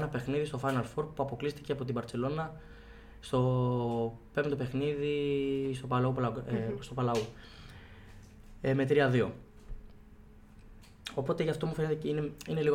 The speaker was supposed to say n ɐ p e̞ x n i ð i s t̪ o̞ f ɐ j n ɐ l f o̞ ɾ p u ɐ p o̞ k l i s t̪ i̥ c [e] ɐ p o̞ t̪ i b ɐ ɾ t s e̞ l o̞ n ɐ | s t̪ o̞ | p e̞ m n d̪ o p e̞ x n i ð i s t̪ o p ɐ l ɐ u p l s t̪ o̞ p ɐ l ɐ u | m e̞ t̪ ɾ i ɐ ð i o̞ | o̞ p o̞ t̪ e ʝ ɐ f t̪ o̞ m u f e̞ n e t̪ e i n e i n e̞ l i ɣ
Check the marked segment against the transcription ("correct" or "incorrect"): correct